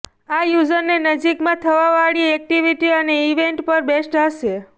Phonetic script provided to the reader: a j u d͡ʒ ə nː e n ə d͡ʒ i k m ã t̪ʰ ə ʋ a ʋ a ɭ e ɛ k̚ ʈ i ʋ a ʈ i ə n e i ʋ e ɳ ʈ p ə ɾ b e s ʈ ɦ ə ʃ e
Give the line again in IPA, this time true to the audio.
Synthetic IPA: a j u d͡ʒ ə nː e n ə d͡ʒ i k m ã t̪ʰ ə ʋ a ʋ a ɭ i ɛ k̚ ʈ i ʋ i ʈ i ə n e i ʋ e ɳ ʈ p ə ɾ b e s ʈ ɦ ə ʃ e